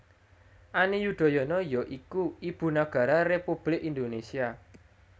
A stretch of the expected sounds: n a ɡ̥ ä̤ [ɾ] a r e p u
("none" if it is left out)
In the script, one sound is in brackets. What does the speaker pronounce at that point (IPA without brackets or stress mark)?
ɾ